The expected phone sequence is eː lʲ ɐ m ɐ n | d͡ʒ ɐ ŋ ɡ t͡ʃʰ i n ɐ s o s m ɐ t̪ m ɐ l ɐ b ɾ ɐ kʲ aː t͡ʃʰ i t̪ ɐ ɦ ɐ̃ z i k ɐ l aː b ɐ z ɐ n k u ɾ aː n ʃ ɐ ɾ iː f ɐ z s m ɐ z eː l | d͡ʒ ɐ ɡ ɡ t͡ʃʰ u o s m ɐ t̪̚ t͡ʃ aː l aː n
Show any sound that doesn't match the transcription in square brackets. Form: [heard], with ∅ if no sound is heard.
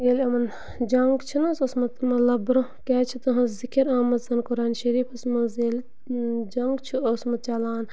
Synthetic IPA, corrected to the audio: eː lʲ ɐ m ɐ n | d͡ʒ ɐ ŋ ɡ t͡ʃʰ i n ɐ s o s m ɐ t̪ m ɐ l ɐ b ɾ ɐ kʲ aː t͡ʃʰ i t̪ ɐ ɦ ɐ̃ z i k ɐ [ɾ] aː [m] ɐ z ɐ n k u ɾ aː n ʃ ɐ ɾ iː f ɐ [∅] s m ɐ z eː l | d͡ʒ ɐ [ŋ] ɡ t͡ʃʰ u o s m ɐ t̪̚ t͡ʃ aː l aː n